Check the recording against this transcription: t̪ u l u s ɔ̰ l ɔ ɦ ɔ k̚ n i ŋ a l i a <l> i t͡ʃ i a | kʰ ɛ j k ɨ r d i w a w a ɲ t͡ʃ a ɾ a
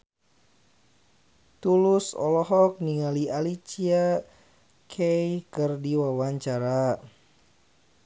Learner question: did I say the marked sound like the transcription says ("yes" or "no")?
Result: yes